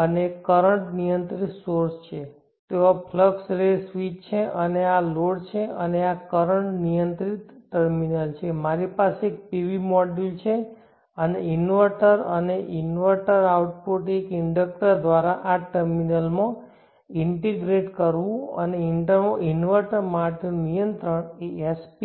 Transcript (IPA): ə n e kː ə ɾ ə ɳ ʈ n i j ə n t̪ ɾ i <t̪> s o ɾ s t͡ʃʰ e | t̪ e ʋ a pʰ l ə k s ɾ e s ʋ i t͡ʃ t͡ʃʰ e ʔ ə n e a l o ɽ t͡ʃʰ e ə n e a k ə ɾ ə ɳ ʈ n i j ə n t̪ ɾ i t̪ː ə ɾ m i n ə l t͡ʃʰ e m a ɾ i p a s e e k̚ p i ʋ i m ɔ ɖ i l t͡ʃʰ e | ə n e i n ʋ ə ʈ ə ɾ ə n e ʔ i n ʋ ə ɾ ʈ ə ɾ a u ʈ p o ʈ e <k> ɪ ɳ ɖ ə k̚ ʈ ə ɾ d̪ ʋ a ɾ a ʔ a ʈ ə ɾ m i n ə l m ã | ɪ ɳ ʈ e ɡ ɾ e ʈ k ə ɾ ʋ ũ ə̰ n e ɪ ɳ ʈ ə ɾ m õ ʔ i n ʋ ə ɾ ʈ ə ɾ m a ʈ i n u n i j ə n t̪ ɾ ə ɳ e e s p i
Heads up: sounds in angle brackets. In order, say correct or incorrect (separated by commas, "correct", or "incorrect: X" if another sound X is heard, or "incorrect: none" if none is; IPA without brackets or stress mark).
correct, correct